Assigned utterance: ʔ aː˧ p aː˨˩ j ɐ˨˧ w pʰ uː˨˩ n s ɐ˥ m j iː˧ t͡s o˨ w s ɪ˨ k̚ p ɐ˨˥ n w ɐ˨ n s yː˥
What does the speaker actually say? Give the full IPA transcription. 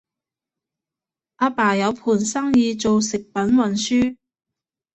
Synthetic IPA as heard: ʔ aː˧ p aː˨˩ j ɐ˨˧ w pʰ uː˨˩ n s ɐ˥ ŋ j iː˧ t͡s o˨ w s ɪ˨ k̚ p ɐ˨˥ n w ɐ˨ n s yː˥

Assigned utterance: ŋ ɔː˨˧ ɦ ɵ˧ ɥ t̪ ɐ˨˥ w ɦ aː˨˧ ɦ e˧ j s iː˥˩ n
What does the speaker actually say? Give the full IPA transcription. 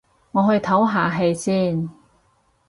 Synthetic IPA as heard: ŋ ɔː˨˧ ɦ ɵ˧ ɥ t̪ʰ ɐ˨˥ w ɦ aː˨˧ ɦ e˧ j s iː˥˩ n

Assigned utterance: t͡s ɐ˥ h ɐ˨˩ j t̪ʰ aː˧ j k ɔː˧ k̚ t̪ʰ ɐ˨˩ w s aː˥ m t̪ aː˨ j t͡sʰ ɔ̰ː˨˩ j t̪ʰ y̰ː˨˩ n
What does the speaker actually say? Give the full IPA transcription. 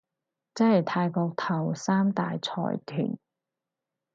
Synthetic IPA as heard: t͡s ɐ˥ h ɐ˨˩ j t̪ʰ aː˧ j k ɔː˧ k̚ t̪ʰ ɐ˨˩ w s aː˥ m t̪ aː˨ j t͡sʰ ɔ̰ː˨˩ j t̪ʰ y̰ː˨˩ n

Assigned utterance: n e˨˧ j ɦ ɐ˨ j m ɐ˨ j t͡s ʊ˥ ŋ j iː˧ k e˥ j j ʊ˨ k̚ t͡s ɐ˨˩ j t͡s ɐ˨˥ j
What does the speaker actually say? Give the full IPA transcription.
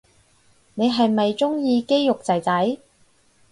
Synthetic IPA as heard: n e˨˧ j ɦ ɐ˨ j m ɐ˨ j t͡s ʊ˥ ŋ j iː˧ k e˥ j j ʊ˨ k̚ t͡s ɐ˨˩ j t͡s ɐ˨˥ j

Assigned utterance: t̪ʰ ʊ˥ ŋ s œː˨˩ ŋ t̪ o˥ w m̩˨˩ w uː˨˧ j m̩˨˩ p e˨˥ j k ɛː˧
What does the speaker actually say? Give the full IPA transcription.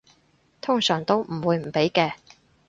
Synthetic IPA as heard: t̪ʰ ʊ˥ ŋ s œː˨˩ ŋ t̪ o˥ w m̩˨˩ w uː˨˧ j m̩˨˩ p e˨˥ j k ɛː˧

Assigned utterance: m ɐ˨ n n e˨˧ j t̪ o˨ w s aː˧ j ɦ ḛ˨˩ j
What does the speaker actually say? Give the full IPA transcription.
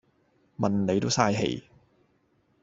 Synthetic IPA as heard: m ɐ˨ n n e˨˧ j t̪ o˥ w s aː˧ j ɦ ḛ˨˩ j

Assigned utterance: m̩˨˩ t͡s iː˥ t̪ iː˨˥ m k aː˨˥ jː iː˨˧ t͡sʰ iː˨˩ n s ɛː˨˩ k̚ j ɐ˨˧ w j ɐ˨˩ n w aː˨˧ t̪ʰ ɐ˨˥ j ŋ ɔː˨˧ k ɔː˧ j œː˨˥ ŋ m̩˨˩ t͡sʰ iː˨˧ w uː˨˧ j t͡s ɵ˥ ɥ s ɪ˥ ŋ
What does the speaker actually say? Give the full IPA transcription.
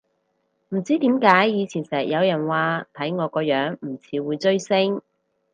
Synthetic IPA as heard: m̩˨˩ t͡s iː˥ t̪ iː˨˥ m k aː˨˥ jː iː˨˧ t͡sʰ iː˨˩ n s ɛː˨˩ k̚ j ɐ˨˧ w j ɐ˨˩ n w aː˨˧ t̪ʰ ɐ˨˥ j ŋ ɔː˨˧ k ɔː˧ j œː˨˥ ŋ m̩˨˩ t͡sʰ iː˨˧ w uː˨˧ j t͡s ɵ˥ ɥ s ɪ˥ ŋ

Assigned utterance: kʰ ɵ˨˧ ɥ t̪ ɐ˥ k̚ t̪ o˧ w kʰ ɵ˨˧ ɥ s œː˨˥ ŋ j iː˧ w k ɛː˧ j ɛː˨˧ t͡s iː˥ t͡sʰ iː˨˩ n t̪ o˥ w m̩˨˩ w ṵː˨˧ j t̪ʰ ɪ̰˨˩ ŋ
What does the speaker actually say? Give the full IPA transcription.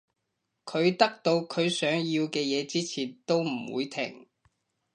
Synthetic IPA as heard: kʰ ɵ˨˧ ɥ t̪ ɐ˥ k̚ t̪ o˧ w kʰ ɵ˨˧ ɥ s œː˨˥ ŋ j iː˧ w k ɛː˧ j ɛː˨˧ t͡s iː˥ t͡sʰ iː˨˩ n t̪ o˥ w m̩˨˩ w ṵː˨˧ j t̪ʰ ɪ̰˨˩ ŋ

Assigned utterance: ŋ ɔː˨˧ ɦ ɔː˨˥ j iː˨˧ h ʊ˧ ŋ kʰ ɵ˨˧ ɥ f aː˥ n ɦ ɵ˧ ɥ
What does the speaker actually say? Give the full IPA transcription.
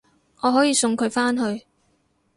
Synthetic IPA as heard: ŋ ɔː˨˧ ɦ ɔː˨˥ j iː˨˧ s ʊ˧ ŋ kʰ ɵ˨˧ ɥ f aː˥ n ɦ ɵ˧ ɥ

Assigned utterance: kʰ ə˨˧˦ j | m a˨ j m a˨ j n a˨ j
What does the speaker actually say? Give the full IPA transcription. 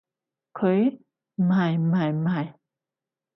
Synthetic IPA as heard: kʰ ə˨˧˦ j | m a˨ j m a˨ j m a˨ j

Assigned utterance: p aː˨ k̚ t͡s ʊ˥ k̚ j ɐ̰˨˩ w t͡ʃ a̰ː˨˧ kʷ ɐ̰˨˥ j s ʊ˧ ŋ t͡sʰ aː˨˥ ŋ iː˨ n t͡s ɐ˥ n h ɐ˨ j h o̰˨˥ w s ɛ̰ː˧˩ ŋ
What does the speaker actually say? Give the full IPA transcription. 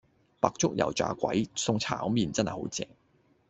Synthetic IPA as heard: p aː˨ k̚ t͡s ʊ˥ k̚ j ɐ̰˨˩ w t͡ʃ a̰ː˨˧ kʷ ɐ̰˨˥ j s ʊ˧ ŋ t͡sʰ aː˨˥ m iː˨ n t͡s ɐ˥ n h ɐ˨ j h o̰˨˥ w t͡s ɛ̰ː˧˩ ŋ

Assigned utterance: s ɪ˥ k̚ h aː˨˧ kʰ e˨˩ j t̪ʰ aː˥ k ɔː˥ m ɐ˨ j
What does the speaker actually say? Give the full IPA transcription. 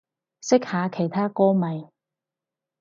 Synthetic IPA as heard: s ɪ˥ k̚ h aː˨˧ kʰ e˨˩ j t̪ʰ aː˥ k ɔː˥ m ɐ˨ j

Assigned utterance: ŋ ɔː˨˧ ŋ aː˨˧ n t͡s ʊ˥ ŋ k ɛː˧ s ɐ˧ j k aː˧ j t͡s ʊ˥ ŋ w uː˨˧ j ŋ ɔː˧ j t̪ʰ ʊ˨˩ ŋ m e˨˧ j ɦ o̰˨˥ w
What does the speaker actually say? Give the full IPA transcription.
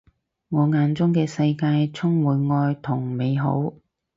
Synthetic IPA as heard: ŋ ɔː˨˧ ŋ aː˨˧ n t͡s ʊ˥ ŋ k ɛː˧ s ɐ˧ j k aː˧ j t͡sʰ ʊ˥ ŋ w uː˨˧ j ŋ ɔː˧ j t̪ʰ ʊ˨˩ ŋ m e˨˧ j ɦ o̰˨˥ w

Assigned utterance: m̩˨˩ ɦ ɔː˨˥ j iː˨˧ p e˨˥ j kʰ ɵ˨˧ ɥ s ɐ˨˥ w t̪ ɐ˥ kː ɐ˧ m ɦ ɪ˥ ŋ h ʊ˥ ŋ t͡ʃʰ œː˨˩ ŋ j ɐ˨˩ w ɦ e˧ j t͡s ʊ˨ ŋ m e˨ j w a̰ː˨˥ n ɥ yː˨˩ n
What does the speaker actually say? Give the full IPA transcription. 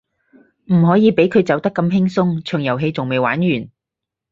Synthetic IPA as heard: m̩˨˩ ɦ ɔː˨˥ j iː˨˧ p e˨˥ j kʰ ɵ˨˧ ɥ t͡s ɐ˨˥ w t̪ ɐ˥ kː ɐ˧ m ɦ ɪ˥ ŋ s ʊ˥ ŋ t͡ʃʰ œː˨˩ ŋ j ɐ˨˩ w ɦ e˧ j t͡s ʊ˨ ŋ m e˨ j w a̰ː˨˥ n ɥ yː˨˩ n

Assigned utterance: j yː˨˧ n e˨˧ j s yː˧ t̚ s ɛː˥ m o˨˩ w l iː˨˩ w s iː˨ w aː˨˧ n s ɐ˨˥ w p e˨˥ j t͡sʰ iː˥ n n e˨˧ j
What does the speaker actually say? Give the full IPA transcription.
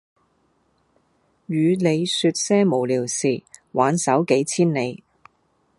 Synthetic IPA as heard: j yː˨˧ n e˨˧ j s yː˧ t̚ s ɛː˥ m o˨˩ w l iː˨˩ w s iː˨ w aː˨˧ n s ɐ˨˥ w k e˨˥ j t͡sʰ iː˥ n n e˨˧ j

